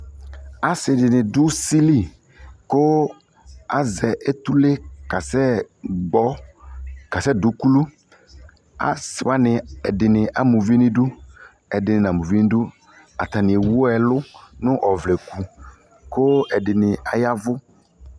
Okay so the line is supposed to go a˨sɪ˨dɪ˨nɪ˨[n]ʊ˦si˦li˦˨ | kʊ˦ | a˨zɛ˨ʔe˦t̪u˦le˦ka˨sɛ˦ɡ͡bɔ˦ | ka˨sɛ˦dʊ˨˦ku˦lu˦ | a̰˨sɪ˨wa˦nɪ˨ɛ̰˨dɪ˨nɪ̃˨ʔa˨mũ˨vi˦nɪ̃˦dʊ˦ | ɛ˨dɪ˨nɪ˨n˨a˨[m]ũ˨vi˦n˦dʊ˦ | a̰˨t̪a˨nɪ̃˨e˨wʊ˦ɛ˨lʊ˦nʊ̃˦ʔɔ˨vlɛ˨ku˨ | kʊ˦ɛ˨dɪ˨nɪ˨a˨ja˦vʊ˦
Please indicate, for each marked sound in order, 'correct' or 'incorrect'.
incorrect, correct

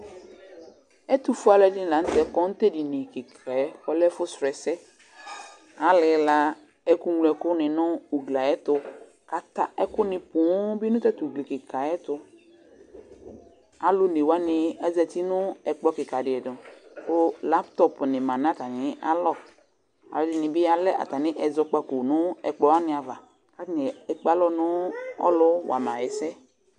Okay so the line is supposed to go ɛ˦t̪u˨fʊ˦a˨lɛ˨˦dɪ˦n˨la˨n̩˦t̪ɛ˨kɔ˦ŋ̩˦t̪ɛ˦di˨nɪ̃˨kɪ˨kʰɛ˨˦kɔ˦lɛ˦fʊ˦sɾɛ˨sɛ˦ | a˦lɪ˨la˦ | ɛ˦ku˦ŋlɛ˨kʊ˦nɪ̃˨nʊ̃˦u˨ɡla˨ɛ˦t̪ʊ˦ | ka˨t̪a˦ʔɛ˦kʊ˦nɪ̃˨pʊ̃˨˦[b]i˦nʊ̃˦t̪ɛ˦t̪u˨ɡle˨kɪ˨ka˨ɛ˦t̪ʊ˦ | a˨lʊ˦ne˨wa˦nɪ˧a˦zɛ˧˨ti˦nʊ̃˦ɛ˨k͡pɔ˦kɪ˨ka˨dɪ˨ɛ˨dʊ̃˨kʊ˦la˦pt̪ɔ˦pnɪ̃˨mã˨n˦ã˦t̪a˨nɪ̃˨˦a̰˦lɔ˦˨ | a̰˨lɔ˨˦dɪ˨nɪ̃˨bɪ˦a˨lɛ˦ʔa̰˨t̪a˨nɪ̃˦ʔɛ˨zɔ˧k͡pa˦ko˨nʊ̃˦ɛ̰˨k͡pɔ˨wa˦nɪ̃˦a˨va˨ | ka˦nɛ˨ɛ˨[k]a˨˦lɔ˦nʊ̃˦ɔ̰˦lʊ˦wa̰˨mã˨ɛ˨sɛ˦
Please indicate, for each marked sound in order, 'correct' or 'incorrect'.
correct, incorrect

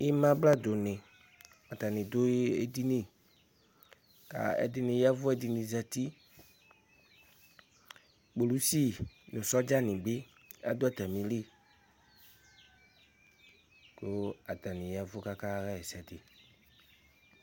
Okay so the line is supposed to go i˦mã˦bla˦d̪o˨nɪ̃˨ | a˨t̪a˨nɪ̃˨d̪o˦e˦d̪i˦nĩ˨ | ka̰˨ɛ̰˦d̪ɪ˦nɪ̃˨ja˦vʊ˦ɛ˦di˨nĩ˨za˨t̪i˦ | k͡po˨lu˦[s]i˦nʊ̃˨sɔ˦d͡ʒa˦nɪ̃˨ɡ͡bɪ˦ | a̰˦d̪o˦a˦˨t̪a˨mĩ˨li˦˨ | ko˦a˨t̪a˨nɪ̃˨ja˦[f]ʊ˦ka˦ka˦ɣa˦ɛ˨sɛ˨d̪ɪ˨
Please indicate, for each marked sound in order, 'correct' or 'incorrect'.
correct, incorrect

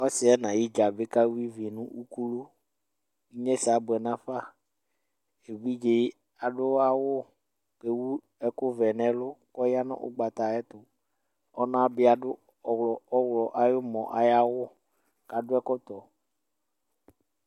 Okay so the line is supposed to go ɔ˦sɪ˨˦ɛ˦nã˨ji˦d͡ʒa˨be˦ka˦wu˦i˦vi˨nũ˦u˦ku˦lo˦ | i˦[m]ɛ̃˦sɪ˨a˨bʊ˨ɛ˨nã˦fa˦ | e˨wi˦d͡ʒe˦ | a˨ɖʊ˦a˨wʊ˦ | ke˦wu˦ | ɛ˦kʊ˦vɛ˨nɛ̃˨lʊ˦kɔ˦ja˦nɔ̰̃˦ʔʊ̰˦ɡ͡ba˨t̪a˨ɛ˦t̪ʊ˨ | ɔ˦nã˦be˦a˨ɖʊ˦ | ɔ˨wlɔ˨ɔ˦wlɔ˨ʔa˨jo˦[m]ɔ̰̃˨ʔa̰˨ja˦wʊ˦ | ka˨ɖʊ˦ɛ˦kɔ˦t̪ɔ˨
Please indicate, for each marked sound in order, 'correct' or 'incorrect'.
incorrect, correct

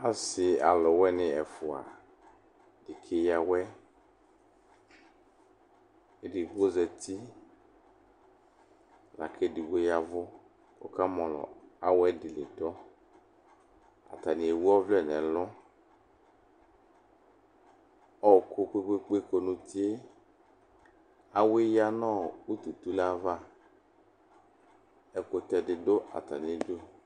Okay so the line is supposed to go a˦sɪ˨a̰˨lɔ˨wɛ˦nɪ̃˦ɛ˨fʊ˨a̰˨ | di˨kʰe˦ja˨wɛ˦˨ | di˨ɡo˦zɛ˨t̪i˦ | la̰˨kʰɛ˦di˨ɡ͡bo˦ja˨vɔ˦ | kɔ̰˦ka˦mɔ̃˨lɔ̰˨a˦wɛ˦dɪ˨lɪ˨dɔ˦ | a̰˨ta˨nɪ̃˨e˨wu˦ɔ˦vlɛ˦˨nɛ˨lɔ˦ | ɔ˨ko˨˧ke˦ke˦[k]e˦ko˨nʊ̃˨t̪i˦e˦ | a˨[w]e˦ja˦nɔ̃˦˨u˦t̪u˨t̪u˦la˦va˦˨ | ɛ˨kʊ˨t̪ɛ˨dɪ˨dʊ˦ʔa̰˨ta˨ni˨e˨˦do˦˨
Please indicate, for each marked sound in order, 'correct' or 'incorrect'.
incorrect, correct

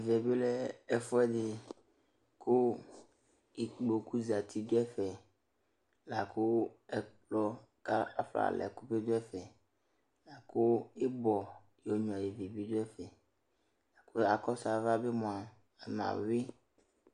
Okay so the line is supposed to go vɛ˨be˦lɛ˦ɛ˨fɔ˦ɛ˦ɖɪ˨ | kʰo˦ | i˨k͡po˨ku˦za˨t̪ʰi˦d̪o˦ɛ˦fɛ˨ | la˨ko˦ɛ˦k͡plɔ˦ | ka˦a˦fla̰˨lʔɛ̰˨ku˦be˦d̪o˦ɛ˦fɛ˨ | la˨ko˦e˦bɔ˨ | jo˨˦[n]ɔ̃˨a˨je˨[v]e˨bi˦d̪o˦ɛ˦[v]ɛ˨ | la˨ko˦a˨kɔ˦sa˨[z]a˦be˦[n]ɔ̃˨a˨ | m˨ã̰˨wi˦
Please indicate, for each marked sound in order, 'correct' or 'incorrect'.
incorrect, correct, incorrect, incorrect, incorrect

